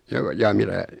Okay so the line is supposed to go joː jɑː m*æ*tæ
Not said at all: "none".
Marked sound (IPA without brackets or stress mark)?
i